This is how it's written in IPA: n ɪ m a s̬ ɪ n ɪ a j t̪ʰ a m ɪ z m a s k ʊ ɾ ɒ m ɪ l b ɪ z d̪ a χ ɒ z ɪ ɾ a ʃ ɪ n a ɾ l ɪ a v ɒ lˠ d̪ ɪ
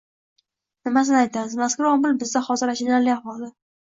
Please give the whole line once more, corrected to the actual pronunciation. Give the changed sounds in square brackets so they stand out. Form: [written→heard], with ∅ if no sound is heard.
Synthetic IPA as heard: n ɪ m a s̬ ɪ n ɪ a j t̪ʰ a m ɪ z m a s k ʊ ɾ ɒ m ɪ l b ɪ z d̪ a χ ɒ z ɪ ɾ a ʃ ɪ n a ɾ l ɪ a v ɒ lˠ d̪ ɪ